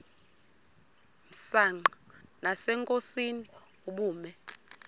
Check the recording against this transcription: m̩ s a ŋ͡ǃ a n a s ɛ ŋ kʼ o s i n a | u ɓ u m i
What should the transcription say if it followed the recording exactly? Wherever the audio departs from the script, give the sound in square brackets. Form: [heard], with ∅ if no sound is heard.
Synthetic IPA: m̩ s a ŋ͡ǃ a n a s ɛ ŋ kʼ o s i n [i] | u ɓ [uː] m [ɛ]

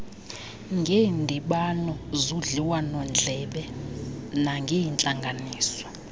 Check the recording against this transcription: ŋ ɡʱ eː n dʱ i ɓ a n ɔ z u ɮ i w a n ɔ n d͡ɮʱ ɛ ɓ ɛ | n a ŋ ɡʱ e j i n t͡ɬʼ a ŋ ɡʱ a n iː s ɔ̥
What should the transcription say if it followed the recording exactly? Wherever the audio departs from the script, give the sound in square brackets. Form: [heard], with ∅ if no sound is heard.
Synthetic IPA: ŋ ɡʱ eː n dʱ i ɓ a n ɔ z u ɮ i w a n ɔ n d͡ɮʱ ɛ ɓ ɛ | n a ŋ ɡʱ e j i n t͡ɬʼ a ŋ ɡʱ a n iː s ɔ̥

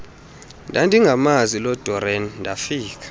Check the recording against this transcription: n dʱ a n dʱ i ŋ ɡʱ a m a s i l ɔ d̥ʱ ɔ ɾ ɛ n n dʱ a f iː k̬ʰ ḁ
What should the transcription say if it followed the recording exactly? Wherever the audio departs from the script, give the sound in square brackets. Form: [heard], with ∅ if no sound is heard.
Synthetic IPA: n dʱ a n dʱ i ŋ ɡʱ a m a [z] i l ɔ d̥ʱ ɔ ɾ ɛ n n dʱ a f iː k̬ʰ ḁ

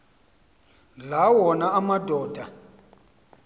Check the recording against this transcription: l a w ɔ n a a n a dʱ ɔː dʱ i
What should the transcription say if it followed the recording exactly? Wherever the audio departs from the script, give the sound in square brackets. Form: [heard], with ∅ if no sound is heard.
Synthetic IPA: l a w ɔ n a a [m] a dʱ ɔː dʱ [a]

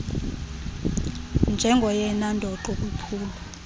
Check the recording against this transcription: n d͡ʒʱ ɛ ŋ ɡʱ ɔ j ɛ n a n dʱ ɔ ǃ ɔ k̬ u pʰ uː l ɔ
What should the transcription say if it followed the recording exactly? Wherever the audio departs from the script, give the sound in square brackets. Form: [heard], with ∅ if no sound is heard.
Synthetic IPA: n d͡ʒʱ ɛ ŋ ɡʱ ɔ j ɛ n a n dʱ ɔ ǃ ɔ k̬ u pʰ uː l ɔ

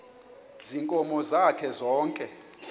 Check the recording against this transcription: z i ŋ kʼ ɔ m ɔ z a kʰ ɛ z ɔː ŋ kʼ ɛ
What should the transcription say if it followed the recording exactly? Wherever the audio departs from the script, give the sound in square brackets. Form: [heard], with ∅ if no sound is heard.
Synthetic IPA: z i ŋ kʼ ɔ m ɔ z a kʰ ɛ z ɔː ŋ kʼ ɛ

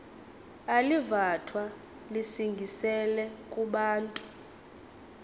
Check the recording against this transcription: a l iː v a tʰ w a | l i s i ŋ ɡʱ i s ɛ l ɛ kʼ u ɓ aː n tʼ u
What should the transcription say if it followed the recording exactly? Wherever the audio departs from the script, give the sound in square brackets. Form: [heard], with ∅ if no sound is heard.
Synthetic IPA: a l [i] v a tʰ w a | l i s i ŋ ɡʱ i s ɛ l ɛ kʼ u ɓ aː n tʼ u

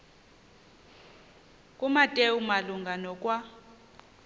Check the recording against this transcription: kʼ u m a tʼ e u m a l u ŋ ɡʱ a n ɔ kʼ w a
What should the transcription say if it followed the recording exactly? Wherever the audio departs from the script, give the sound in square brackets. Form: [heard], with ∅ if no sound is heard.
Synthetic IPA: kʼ u m a tʼ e u m a l u ŋ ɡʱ a n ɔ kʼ w a

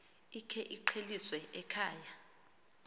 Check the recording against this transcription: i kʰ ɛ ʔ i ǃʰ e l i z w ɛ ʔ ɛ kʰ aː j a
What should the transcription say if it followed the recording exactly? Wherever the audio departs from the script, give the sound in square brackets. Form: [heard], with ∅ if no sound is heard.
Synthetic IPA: i kʰ ɛ ʔ i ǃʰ e l i [s] w ɛ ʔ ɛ kʰ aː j a

